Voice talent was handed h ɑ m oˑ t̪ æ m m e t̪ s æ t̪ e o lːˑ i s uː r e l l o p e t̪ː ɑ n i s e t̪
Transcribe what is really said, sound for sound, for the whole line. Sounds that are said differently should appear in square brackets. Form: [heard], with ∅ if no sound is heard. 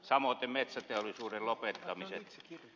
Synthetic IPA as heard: [s] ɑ m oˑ t̪ [e] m m e t̪ s æ t̪ e o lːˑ i s uː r e l l o p e t̪ː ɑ [m] i s e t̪